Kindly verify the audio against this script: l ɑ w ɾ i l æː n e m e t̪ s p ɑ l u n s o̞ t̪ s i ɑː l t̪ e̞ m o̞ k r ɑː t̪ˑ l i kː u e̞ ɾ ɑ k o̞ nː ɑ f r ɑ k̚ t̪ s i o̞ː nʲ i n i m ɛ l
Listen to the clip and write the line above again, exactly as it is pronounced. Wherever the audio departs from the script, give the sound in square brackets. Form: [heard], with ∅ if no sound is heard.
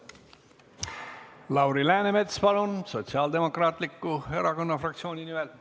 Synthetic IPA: l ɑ w ɾ i l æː n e m e t̪ s p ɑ l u n s o̞ t̪ s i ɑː l [d̪] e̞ m o̞ k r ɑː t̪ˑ l i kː u e̞ ɾ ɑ k o̞ nː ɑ f r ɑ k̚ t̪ s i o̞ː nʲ i n i m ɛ l